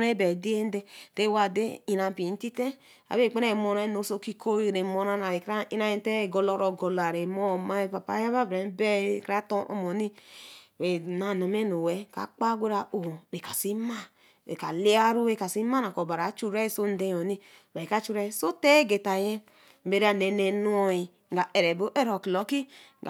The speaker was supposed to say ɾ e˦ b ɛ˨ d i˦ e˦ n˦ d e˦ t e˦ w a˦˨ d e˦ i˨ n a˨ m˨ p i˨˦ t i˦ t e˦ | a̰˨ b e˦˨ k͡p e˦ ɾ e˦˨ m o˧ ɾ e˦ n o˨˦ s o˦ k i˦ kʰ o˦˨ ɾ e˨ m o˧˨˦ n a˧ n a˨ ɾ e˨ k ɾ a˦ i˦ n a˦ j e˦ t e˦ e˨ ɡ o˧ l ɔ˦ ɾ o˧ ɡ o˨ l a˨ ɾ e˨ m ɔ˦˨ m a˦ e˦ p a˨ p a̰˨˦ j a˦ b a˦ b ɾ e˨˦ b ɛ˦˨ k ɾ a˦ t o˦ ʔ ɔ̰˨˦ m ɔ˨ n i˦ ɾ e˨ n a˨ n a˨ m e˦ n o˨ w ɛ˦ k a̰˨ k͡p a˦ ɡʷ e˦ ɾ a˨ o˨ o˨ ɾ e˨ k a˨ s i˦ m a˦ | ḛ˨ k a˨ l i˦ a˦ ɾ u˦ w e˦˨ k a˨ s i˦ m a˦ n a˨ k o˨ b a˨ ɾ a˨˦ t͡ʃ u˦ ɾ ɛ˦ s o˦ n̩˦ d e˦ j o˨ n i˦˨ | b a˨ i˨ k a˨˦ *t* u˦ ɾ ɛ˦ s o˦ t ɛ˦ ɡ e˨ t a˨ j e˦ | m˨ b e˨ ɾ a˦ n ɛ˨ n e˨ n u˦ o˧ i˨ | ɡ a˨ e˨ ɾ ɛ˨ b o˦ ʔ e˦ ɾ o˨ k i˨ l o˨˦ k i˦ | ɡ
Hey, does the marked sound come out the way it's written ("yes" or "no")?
no